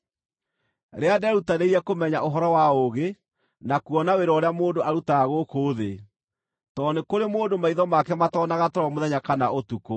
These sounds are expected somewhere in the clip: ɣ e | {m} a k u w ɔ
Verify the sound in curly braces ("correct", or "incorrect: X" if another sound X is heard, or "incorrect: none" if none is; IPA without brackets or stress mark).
incorrect: n